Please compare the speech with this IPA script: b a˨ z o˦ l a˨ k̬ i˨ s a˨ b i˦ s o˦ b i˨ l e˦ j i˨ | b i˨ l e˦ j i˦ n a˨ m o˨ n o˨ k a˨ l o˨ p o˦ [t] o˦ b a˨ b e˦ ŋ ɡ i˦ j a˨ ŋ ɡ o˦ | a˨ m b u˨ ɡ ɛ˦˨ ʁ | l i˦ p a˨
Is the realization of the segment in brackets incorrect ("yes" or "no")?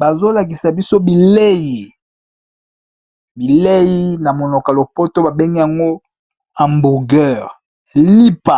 no